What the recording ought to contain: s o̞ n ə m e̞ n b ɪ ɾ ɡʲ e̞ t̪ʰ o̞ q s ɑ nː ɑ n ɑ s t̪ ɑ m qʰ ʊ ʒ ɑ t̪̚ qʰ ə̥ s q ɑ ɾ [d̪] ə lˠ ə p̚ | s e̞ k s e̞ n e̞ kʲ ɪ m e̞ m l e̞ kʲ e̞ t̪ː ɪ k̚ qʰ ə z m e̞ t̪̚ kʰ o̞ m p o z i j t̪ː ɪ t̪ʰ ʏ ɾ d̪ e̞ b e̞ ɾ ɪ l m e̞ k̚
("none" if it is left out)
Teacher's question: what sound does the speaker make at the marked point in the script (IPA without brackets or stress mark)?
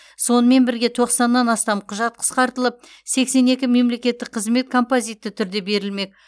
t̪